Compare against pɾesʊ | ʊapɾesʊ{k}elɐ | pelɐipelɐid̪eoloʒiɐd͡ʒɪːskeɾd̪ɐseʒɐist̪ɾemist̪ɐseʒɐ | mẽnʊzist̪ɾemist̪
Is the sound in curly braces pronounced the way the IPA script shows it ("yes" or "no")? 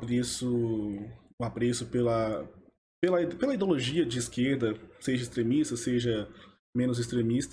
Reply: no